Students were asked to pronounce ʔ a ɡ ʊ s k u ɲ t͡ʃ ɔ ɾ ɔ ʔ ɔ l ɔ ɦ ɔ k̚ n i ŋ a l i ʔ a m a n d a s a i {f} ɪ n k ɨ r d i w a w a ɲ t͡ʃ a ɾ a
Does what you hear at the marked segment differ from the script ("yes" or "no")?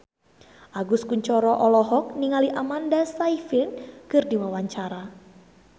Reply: no